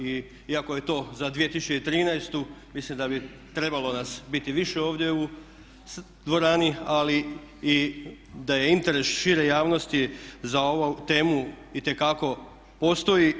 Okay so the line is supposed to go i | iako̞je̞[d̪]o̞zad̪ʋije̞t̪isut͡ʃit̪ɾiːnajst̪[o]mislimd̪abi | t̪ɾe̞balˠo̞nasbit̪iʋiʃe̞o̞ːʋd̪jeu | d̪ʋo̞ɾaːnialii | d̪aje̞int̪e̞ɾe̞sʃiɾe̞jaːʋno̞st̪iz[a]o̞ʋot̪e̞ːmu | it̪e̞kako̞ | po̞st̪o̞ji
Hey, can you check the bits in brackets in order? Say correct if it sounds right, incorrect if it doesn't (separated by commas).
incorrect, incorrect, correct